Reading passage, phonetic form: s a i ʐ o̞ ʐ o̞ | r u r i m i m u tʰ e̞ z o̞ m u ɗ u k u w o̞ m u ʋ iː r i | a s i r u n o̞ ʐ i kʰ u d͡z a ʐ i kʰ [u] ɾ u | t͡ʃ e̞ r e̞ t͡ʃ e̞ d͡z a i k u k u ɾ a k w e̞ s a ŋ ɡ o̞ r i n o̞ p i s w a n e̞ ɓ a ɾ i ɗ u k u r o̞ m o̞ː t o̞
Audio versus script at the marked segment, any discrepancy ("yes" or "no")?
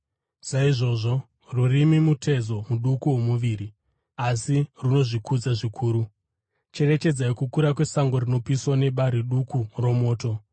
yes